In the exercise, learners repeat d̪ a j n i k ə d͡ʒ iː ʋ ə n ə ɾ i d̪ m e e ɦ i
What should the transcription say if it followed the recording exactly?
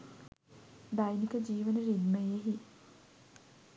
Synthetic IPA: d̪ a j n i k ə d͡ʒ iː ʋ ə n ə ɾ i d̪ m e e ɦ i